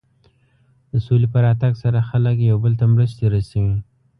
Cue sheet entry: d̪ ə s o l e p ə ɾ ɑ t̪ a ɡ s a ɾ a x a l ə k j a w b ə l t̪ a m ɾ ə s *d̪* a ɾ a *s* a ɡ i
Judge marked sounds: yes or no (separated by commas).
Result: no, yes